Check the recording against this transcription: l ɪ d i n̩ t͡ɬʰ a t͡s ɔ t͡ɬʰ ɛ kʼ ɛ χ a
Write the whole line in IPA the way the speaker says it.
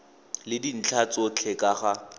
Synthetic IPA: l ɪ d i n̩ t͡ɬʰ a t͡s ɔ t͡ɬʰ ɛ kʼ a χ a

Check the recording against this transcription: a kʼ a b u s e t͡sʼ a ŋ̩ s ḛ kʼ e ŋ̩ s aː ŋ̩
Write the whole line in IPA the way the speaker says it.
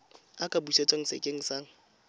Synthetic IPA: a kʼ a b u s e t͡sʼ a ŋ̩ s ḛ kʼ e ŋ̩ s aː ŋ̩

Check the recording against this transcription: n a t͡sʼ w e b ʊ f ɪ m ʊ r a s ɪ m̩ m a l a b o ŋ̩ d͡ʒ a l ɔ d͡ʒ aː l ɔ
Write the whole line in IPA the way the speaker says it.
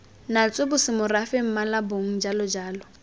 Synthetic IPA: n a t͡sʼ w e b ʊ s ɪ m ʊ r a f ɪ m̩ m a l a b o ŋ̩ d͡ʒ a l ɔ d͡ʒ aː l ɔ

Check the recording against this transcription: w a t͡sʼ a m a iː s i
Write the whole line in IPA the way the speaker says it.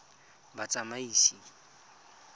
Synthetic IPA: b a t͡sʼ a m a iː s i

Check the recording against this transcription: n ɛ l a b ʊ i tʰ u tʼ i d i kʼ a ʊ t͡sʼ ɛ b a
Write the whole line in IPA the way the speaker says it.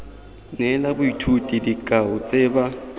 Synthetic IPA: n ɛ l a b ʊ i tʰ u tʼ i d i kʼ a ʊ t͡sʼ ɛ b a

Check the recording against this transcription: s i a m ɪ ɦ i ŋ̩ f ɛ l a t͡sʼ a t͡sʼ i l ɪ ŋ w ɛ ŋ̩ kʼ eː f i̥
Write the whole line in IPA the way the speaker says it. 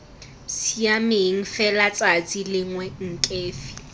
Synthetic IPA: s i a m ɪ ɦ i ŋ̩ f ɛ l a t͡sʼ a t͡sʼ i l ɪ ŋ w ɛ ŋ̩ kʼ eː f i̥

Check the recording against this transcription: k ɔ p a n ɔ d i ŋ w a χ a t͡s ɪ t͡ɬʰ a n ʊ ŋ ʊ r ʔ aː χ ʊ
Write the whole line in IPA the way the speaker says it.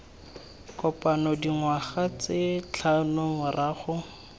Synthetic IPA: k ɔ p a n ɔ d i ŋ w a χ a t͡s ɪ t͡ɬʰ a n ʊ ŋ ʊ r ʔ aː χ ʊ

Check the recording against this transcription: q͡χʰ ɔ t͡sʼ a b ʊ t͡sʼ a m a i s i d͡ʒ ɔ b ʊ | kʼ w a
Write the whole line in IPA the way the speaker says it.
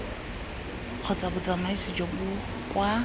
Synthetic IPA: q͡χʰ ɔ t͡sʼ a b ʊ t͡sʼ a m a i s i d͡ʒ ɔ b ʊ | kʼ w a

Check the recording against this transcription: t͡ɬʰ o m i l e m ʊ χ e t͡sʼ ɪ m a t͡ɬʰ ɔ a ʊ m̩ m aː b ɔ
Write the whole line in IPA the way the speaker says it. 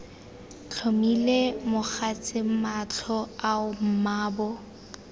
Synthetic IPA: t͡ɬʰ o m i l e m ʊ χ a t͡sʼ ɪ m a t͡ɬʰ ɔ a ʊ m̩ m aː b ɔ

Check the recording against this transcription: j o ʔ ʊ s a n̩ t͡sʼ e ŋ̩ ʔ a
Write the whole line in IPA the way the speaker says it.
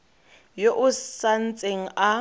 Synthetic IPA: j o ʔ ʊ s a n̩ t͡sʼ e ŋ̩ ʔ a

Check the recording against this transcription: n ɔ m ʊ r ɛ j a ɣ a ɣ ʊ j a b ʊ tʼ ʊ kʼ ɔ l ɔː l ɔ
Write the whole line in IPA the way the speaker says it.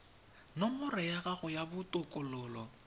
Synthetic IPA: n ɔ m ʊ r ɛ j a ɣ a ɣ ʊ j a b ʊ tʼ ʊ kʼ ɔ l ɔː l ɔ

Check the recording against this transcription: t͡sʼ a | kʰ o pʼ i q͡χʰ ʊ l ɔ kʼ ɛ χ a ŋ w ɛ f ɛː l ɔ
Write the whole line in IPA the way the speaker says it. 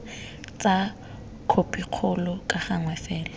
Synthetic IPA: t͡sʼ a | kʰ o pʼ i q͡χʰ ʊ l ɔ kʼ a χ a ŋ w ɛ f ɛː l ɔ

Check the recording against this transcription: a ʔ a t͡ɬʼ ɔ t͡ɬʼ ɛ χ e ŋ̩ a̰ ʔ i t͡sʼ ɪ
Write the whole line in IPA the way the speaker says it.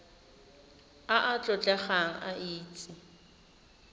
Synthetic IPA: a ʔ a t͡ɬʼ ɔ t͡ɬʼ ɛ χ a ŋ̩ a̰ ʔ iː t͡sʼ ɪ

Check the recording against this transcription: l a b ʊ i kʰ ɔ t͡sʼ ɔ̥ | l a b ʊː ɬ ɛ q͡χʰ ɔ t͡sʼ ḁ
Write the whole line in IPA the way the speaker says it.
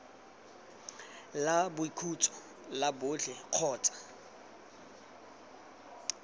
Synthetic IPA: l a b ʊ i kʰ u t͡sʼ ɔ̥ | l a b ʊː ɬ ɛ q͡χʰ ɔː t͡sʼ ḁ

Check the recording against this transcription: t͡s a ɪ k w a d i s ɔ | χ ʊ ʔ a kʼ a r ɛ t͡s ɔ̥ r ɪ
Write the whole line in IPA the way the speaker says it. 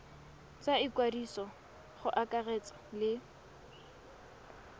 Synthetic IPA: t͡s a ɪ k w a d i s ɔ | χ ʊ ʔ a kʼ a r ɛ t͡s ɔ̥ l ɪ

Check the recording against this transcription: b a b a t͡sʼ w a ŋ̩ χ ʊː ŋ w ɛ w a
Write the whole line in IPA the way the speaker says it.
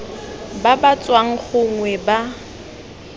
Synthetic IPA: b a b a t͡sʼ w a ŋ̩ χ ʊ ŋ w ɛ b a

